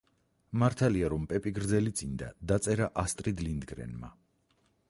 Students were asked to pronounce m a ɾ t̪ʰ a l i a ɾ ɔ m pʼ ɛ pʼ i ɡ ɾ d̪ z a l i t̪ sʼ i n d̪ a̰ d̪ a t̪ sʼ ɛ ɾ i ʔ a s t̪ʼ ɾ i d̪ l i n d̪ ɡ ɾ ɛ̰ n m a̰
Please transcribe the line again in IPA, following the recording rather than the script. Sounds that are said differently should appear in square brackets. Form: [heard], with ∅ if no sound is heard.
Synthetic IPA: m a ɾ t̪ʰ a l i a ɾ ɔ m pʼ ɛ pʼ i ɡ ɾ d̪ z [ɛ] l i t̪ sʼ i n d̪ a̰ d̪ a t̪ sʼ ɛ ɾ [a] ʔ a s t̪ʼ ɾ i d̪ l i n d̪ ɡ ɾ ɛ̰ n m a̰